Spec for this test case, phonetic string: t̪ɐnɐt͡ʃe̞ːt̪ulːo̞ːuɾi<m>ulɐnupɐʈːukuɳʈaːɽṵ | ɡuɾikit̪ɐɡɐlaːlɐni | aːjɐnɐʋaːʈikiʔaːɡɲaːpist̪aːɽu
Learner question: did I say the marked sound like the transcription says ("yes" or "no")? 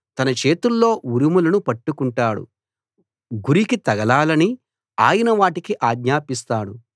yes